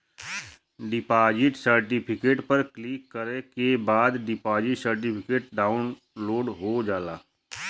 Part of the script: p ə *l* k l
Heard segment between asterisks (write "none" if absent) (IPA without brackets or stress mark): ɾ